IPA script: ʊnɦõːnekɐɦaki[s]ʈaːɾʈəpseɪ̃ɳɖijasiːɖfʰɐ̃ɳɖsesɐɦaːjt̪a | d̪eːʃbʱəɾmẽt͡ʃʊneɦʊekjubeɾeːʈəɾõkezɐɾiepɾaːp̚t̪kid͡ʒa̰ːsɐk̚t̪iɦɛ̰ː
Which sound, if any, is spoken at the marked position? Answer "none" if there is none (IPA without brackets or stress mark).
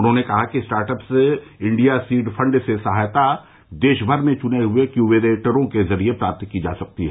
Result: s